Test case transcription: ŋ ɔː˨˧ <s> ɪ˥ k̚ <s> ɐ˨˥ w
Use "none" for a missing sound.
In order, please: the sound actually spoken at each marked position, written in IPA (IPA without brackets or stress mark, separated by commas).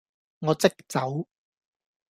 t͡s, t͡s